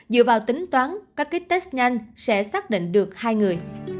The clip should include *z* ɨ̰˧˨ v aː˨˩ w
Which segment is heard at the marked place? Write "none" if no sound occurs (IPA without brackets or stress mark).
z